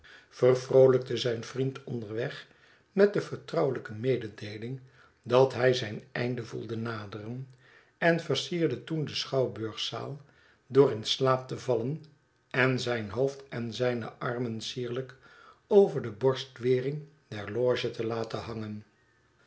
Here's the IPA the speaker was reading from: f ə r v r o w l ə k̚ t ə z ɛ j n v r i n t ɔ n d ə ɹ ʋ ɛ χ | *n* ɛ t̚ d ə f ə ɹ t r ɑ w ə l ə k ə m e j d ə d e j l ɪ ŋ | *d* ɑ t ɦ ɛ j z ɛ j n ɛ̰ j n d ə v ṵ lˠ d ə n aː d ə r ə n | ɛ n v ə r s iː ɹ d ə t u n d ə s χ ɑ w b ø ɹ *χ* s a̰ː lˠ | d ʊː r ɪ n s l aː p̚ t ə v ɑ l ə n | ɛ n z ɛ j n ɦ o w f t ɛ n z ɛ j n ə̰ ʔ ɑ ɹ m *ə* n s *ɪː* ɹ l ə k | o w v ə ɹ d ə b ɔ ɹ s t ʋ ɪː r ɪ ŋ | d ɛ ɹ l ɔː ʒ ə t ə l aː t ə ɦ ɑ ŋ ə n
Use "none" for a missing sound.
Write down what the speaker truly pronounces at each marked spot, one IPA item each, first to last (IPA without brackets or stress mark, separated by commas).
m, d, χ, ə, iː